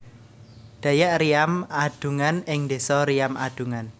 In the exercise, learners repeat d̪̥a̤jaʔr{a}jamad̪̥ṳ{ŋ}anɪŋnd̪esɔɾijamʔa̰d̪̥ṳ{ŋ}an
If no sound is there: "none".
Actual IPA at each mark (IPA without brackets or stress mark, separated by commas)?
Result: i, ŋ, ŋ